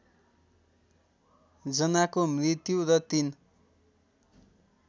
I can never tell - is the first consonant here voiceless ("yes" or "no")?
no